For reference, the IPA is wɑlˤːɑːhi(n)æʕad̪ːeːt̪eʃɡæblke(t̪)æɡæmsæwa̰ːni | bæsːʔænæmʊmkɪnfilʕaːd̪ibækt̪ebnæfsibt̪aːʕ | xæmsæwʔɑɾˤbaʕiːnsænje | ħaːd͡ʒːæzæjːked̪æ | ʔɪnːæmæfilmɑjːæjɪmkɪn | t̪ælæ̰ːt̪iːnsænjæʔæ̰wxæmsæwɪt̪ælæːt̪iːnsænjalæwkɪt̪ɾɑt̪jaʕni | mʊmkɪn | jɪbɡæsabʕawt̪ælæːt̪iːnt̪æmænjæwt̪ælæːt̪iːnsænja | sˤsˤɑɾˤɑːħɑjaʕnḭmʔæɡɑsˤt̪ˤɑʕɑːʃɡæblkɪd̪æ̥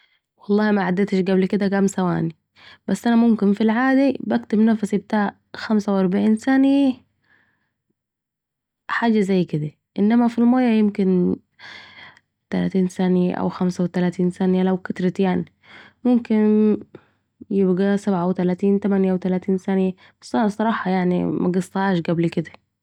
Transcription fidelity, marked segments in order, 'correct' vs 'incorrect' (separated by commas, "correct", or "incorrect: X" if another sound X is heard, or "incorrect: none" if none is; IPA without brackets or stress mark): incorrect: m, incorrect: d̪